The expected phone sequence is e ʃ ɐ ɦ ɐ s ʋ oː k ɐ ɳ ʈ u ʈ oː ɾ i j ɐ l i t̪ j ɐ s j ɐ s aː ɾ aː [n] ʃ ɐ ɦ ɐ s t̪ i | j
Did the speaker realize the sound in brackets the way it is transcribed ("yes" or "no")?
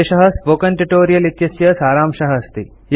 no